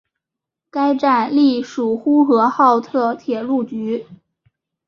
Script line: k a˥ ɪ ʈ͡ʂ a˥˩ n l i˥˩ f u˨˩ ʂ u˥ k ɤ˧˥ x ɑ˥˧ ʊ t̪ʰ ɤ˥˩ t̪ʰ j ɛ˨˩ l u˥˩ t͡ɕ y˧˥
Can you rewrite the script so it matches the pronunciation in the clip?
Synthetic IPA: k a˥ ɪ ʈ͡ʂ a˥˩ n l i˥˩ ʂ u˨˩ x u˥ x ɤ˧˥ x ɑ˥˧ ʊ t̪ʰ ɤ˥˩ t̪ʰ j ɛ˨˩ l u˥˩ t͡ɕ y˧˥

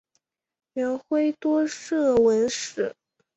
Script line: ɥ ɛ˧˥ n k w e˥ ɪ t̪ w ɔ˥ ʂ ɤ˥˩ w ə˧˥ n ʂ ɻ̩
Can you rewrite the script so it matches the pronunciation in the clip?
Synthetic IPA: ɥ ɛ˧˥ n x w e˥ ɪ t̪ w ɔ˥ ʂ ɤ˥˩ w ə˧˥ n ʂ ɻ̩

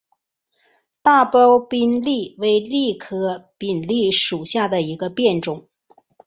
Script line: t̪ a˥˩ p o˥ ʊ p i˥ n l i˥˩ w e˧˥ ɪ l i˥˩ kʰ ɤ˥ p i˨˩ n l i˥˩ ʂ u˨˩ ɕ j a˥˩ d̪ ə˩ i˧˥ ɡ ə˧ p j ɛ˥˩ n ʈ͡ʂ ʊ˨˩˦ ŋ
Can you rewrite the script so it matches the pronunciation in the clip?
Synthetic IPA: t̪ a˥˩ p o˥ ʊ p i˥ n l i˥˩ w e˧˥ ɪ l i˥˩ kʰ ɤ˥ p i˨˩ n l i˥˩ ʂ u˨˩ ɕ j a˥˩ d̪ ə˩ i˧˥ ɡ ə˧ p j ɛ˥˩ n ʈ͡ʂ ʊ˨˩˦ ŋ

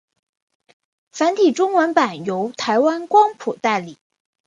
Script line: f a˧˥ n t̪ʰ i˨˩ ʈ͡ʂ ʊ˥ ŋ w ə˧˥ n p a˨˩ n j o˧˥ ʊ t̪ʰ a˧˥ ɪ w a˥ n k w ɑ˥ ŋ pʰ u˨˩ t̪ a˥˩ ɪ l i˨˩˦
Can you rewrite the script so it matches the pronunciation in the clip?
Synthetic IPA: f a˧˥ n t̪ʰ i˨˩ ʈ͡ʂ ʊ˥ ŋ w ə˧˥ n p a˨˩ n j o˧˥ ʊ t̪ʰ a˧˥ ɪ w a˥ n k w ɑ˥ ŋ pʰ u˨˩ t̪ a˥˩ ɪ l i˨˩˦

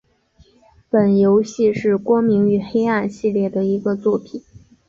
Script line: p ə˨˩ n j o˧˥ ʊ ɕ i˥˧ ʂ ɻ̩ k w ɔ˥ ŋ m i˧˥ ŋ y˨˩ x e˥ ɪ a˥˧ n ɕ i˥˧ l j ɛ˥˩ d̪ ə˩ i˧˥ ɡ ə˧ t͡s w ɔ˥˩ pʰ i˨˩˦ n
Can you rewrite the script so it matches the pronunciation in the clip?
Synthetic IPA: p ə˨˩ n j o˧˥ ʊ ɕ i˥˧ ʂ ɻ̩ k w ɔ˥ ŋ m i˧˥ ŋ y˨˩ x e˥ ɪ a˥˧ n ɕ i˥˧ l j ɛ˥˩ d̪ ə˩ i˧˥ ɡ ə˧ t͡s w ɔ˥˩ pʰ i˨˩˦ n

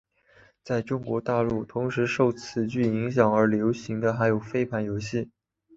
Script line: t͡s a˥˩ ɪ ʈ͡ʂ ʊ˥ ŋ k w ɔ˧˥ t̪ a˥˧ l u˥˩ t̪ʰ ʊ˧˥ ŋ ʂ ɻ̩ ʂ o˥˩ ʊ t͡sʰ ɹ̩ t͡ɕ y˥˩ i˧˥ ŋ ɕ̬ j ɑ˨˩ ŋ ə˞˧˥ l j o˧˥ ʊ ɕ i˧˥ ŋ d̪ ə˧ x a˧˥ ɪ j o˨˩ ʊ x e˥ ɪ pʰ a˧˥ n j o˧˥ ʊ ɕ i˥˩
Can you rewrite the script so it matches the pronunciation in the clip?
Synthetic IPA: t͡s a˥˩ ɪ ʈ͡ʂ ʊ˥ ŋ k w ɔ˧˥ t̪ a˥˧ l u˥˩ t̪ʰ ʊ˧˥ ŋ ʂ ɻ̩ ʂ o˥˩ ʊ t͡sʰ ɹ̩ t͡ɕ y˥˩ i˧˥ ŋ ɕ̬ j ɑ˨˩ ŋ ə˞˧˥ l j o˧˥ ʊ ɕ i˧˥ ŋ d̪ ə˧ x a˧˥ ɪ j o˨˩ ʊ f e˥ ɪ pʰ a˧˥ n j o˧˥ ʊ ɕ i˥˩

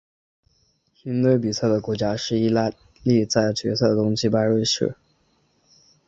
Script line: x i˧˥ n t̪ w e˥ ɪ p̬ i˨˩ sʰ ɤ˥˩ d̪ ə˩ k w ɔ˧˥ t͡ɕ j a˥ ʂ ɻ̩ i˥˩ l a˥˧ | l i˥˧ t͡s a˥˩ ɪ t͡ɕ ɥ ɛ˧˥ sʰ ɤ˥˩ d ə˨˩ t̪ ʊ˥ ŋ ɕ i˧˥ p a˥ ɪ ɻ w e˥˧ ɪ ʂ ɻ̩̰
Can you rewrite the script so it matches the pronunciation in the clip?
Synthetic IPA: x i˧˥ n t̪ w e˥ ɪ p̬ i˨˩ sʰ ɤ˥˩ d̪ ə˩ k w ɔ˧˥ t͡ɕ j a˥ ʂ ɻ̩ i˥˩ l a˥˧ | l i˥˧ t͡s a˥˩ ɪ t͡ɕ ɥ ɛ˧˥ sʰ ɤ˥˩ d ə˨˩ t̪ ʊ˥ ŋ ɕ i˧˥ p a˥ ɪ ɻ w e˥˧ ɪ ʂ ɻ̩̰

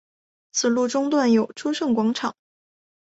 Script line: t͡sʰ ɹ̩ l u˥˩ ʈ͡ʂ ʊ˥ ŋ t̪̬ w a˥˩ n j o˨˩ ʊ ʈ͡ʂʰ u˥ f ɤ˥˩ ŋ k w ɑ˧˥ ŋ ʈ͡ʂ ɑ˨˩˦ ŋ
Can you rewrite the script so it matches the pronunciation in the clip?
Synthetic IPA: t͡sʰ ɹ̩ l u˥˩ ʈ͡ʂ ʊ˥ ŋ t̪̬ w a˥˩ n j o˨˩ ʊ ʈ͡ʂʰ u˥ ʂ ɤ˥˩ ŋ k w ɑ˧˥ ŋ ʈ͡ʂʰ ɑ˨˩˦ ŋ

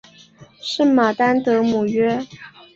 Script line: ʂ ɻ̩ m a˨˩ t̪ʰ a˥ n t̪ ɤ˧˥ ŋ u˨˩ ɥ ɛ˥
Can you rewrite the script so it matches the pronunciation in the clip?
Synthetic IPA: ʂ ɻ̩ m a˨˩ t̪ a˥ n t̪ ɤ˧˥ m u˨˩ ɥ ɛ˥

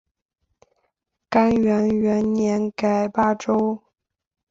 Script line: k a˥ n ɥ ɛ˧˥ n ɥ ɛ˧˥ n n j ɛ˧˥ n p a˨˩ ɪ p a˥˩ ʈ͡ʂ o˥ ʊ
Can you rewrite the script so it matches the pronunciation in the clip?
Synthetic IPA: k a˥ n ɥ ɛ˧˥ n ɥ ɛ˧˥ n n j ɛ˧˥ n k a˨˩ ɪ p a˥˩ ʈ͡ʂ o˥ ʊ

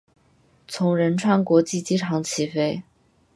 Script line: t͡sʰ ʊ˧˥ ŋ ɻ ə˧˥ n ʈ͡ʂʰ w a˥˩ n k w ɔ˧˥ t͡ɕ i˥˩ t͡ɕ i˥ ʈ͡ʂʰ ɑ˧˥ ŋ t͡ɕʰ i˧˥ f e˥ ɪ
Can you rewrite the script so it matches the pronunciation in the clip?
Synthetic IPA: t͡sʰ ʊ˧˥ ŋ ɻ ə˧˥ n ʈ͡ʂʰ w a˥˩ n k w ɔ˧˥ t͡ɕ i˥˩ t͡ɕ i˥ ʈ͡ʂʰ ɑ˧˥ ŋ t͡ɕʰ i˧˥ f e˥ ɪ

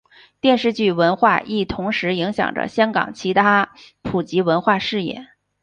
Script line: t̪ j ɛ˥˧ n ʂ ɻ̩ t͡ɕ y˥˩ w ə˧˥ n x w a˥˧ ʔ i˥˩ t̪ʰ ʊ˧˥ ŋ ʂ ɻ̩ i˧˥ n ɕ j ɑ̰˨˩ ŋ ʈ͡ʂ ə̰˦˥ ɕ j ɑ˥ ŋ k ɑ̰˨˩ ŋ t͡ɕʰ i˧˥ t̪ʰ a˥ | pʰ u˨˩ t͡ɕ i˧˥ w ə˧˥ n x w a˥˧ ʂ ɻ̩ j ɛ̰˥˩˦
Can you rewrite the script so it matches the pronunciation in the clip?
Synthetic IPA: t̪ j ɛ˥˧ n ʂ ɻ̩ t͡ɕ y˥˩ w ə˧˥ n x w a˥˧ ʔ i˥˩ t̪ʰ ʊ˧˥ ŋ ʂ ɻ̩ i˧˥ ŋ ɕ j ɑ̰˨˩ ŋ ʈ͡ʂ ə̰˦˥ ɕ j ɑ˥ ŋ k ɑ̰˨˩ ŋ t͡ɕʰ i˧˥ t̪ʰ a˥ | pʰ u˨˩ t͡ɕ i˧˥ w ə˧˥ n x w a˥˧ ʂ ɻ̩ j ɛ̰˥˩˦

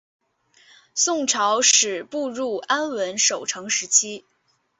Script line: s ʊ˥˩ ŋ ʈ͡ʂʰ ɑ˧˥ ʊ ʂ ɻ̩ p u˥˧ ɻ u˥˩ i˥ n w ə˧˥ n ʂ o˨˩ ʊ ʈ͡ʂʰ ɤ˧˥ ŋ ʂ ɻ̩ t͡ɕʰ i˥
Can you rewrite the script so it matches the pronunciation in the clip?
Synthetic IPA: s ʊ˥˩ ŋ ʈ͡ʂʰ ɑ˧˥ ʊ ʂ ɻ̩ p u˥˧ ɻ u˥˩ a˥ n w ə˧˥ n ʂ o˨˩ ʊ ʈ͡ʂʰ ɤ˧˥ ŋ ʂ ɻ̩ t͡ɕʰ i˥

